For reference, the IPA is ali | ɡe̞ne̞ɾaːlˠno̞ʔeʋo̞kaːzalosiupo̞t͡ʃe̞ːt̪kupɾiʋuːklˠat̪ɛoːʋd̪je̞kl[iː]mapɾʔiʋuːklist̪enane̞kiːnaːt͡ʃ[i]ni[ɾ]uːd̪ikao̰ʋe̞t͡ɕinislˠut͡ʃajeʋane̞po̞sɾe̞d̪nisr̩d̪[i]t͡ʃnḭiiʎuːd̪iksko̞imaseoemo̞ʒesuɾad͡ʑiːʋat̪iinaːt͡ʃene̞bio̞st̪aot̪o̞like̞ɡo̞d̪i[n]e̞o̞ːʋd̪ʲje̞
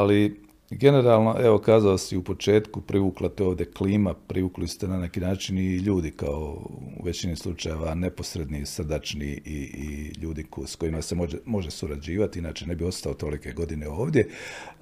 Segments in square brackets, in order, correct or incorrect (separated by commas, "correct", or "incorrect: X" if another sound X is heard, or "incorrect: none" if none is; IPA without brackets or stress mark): correct, correct, incorrect: ʎ, incorrect: a, correct